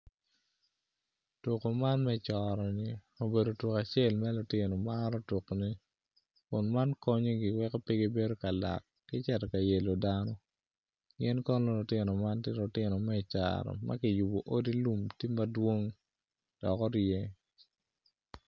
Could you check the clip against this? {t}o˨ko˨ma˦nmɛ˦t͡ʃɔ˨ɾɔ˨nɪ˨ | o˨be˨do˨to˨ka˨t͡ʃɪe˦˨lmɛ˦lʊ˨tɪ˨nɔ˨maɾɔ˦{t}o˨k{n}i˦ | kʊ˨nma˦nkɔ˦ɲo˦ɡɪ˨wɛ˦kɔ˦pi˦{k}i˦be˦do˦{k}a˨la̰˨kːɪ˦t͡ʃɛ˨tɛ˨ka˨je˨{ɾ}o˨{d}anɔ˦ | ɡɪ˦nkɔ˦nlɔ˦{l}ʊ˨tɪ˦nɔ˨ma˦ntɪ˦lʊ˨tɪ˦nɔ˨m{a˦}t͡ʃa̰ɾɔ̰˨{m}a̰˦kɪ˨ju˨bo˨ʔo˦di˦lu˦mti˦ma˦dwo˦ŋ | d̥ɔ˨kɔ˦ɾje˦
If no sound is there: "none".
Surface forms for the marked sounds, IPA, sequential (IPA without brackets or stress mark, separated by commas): t, t, n, ɡ, k, l, d, l, ɛ˦, m